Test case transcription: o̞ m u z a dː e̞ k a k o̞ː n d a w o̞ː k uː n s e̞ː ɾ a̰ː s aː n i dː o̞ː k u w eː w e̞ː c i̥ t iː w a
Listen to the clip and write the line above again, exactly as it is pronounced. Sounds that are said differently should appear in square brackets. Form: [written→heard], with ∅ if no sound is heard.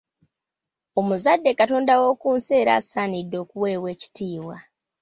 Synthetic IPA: o̞ m u z a dː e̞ k a [k→t] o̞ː n d a w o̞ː k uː n s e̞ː ɾ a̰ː s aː n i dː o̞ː k u w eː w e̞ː c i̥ t iː w a